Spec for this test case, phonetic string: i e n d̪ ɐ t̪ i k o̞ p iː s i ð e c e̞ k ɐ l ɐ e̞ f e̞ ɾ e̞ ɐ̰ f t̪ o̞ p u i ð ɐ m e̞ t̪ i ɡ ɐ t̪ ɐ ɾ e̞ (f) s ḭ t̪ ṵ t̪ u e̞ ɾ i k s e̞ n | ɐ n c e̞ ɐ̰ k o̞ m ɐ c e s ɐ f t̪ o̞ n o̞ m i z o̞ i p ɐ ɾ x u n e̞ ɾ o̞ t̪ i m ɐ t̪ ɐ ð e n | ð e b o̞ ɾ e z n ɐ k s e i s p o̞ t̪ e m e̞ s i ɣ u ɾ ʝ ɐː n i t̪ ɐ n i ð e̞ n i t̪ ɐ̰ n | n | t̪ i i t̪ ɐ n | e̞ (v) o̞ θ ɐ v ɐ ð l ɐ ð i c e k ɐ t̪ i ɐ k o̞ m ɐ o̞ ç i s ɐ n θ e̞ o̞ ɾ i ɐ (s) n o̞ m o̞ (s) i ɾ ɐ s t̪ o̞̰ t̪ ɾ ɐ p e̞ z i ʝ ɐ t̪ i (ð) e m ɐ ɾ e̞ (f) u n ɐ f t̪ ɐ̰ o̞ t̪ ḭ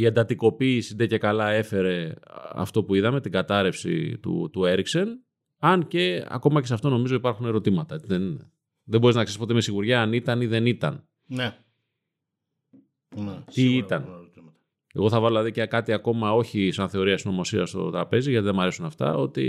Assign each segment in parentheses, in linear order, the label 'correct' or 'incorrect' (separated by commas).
correct, incorrect, correct, correct, correct, incorrect